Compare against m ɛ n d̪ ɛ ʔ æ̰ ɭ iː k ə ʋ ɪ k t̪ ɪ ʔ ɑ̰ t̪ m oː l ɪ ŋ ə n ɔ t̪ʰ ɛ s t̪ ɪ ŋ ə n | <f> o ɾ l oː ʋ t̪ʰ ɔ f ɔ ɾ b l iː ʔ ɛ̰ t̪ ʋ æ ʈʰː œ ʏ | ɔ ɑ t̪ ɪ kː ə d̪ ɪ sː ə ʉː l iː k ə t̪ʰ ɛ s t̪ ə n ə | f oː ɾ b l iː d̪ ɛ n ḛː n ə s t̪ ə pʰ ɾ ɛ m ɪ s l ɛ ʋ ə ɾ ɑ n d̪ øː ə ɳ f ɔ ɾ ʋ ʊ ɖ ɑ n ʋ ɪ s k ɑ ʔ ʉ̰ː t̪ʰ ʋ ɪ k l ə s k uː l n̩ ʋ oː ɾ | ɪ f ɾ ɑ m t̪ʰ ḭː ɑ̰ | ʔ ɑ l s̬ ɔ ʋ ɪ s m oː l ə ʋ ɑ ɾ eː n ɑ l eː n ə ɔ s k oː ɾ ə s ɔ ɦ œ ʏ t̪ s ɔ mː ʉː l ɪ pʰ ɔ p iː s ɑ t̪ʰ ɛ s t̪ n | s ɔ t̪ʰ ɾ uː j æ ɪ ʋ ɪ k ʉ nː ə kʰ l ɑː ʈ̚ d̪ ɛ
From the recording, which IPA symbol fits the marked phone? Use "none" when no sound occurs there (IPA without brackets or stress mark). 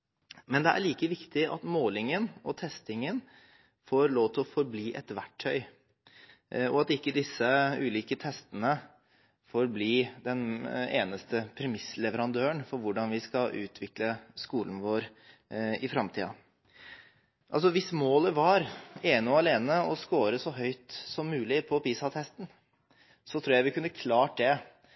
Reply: f